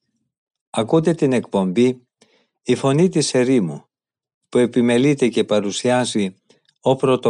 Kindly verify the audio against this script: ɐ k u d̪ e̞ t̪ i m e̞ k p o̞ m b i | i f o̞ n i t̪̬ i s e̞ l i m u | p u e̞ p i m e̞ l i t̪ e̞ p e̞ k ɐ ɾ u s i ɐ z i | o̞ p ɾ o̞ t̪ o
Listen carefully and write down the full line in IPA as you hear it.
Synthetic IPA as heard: ɐ k u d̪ e̞ t̪ i n e̞ k p o̞ m b i | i f o̞ n i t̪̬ i s e̞ ɾ i m u | p u e̞ p i m e̞ l i t̪ e̞ c e̞ p ɐ ɾ u s i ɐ z i | o̞ p ɾ o̞ t̪ o